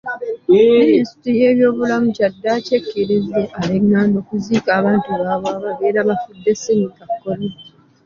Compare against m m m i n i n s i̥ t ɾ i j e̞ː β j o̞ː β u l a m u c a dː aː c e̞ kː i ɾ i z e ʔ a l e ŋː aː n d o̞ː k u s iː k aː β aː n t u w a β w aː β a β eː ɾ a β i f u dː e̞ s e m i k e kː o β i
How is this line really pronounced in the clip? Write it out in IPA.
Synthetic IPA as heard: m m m i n i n s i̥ t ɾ i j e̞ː β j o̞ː β u l a m u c a dː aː c e̞ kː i ɾ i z e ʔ a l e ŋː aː n d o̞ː k u z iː k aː β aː n t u β a β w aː β a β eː ɾ a β a f u dː e̞ s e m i k a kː o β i